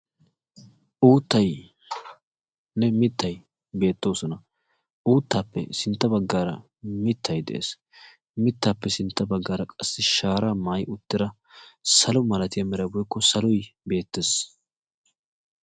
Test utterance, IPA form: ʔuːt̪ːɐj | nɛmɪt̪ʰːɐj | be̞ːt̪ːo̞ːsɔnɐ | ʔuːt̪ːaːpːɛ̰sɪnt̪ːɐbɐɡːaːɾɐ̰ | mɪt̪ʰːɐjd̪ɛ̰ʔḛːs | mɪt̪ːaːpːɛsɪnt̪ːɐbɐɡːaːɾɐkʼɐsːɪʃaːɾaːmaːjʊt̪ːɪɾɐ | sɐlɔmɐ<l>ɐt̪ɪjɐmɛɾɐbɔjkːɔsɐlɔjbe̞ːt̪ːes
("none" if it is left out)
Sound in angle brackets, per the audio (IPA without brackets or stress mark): l